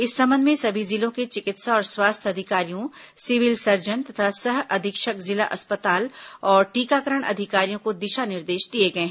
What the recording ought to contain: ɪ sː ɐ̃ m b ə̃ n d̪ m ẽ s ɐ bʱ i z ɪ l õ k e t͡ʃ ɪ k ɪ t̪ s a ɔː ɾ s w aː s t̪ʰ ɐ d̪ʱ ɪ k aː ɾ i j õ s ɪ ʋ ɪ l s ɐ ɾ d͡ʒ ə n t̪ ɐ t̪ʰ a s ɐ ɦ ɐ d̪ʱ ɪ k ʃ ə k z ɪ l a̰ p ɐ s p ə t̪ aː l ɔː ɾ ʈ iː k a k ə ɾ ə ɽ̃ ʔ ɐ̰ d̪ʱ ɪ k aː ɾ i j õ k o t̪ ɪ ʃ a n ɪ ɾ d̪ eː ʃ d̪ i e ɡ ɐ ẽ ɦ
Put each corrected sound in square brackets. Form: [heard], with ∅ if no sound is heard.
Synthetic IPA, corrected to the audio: ɪ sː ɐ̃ m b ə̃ n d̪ m ẽ s ɐ bʱ i z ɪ l õ k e t͡ʃ ɪ k ɪ t̪ s a ɔː ɾ s w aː s t̪ʰ ɐ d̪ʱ ɪ k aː ɾ i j õ s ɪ ʋ ɪ l s ɐ ɾ d͡ʒ ə n t̪ ɐ t̪ʰ a s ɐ ɦ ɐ d̪ʱ ɪ k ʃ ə k z ɪ l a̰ [ʔ] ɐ s p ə t̪ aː l ɔː ɾ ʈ iː k a k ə ɾ ə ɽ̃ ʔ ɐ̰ d̪ʱ ɪ k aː ɾ i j õ k o [d̪] ɪ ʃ a n ɪ ɾ d̪ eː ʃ d̪ i e ɡ ɐ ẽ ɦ